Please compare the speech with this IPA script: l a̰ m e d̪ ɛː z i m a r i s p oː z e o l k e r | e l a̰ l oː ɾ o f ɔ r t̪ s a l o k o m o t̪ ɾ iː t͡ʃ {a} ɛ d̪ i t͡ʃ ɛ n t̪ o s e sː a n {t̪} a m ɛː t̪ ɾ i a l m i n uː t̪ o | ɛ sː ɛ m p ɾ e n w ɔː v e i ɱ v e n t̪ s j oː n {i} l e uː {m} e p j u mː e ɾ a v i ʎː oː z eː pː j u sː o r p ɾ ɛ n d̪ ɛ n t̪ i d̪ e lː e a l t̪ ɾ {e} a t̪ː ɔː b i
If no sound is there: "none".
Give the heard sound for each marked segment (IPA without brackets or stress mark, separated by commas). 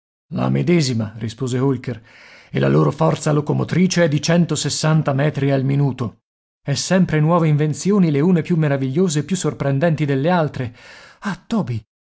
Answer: e, t̪, i, n, e